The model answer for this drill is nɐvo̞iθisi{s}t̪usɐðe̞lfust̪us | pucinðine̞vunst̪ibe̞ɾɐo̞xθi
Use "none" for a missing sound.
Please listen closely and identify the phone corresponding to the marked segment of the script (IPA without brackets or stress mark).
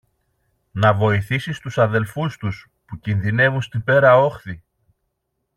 s